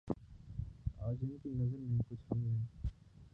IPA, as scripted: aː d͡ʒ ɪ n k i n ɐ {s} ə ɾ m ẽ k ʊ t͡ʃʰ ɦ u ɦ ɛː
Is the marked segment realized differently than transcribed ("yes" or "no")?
yes